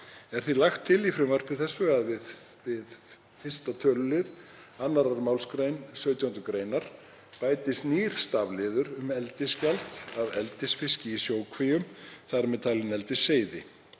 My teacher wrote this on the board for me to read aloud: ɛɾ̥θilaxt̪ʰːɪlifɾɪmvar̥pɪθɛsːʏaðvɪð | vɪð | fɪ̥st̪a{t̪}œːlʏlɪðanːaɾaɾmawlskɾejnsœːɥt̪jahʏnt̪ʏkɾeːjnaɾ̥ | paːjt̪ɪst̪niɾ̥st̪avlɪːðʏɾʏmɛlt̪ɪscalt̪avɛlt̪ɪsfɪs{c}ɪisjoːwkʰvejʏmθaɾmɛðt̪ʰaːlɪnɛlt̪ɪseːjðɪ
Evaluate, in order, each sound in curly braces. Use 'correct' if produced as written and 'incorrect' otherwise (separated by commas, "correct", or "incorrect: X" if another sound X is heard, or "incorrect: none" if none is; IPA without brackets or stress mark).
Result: incorrect: t̪ʰ, correct